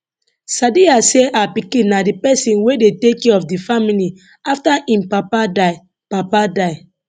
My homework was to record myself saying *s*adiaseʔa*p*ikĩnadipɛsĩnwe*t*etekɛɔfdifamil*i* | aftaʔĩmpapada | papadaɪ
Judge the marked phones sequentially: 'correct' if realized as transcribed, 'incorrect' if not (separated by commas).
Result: correct, correct, incorrect, correct